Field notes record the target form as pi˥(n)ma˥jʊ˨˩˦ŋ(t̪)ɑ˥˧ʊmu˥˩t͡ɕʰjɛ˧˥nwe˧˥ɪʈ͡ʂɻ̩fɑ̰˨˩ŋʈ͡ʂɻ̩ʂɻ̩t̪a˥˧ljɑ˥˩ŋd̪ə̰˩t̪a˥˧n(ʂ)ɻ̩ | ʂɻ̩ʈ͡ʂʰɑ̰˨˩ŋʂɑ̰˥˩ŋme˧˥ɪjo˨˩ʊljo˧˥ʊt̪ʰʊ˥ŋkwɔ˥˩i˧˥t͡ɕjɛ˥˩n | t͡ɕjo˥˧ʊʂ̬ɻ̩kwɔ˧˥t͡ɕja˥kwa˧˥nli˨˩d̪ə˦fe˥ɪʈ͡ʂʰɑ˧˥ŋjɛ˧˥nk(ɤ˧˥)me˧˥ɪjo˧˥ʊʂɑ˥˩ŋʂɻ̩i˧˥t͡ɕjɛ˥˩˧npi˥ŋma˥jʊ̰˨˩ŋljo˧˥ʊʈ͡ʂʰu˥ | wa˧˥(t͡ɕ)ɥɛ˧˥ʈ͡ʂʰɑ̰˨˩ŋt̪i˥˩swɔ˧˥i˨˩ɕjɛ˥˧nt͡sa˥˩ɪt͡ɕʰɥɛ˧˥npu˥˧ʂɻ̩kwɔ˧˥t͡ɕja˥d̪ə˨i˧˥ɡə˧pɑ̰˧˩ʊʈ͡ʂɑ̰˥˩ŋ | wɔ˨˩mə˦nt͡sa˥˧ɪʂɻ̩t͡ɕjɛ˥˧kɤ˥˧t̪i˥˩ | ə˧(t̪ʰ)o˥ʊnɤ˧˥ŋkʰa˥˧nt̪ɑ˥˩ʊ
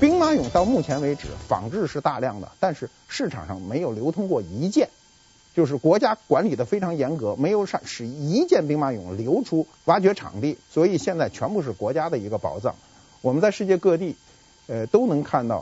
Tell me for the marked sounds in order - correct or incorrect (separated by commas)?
incorrect, correct, correct, correct, correct, incorrect